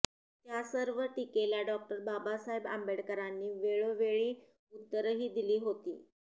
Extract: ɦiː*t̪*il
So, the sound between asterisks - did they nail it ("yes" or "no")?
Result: no